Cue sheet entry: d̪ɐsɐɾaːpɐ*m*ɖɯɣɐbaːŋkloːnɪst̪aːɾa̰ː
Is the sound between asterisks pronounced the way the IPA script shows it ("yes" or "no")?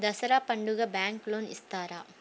no